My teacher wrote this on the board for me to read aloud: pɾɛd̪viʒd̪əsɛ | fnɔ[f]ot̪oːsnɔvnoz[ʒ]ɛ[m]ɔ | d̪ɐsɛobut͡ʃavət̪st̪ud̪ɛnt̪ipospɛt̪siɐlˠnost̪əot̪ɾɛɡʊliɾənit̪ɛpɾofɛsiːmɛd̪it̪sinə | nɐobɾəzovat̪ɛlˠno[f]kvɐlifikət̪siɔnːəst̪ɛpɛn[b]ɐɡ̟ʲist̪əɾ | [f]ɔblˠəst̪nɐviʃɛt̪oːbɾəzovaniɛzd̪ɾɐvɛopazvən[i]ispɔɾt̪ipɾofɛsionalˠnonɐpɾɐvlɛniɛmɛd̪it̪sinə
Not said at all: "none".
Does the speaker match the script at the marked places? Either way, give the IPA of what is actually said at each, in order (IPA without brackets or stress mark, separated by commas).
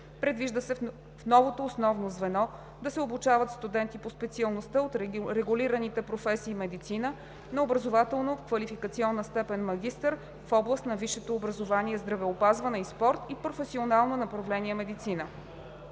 v, v, n, f, m, f, ɛ